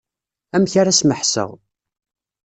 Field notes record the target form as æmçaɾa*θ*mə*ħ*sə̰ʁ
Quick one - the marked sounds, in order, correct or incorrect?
incorrect, correct

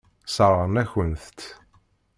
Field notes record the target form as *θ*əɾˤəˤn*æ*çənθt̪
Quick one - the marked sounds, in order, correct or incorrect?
incorrect, correct

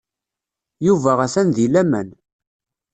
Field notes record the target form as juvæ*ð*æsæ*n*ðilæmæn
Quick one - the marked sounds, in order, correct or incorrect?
incorrect, correct

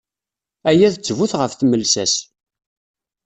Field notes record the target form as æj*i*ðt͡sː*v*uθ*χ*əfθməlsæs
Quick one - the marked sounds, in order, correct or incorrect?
incorrect, correct, incorrect

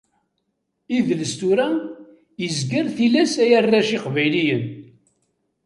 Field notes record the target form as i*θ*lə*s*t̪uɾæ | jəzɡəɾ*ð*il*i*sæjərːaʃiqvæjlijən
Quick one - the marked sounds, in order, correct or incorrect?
incorrect, correct, incorrect, incorrect

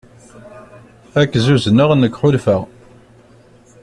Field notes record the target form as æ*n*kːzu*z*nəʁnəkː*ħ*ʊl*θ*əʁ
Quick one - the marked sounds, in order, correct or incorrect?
incorrect, correct, correct, incorrect

